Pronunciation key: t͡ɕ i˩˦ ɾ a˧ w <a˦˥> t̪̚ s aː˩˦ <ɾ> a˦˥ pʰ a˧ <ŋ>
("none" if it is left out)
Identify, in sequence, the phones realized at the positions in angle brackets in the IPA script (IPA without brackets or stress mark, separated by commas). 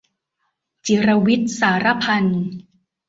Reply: i˦˥, ɾ, n